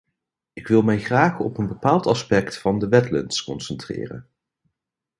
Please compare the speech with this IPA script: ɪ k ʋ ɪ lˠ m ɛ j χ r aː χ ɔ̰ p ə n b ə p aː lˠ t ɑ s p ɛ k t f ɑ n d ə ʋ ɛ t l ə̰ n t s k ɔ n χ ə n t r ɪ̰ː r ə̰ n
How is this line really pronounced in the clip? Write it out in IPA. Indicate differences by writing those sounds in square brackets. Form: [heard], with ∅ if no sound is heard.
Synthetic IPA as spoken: ɪ k ʋ ɪ lˠ m ɛ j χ r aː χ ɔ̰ p ə n b ə p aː lˠ t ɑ s p ɛ k t f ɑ n d ə ʋ ɛ t l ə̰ n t s k ɔ n [s] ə n t r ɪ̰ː r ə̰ n